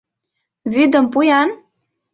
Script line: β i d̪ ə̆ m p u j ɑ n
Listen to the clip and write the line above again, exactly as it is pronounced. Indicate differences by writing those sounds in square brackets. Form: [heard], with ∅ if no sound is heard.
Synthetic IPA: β [y] d̪ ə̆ m p u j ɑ n